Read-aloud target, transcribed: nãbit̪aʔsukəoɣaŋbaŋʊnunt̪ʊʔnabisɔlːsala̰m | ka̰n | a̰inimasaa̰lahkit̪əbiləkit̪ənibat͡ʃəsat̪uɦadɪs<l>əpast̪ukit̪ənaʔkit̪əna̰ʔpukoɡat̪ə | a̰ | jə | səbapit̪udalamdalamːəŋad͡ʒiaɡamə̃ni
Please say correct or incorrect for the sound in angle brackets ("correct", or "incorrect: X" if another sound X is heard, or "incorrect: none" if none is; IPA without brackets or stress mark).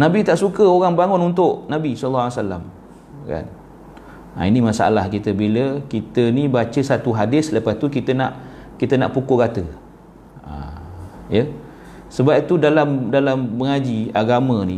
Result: correct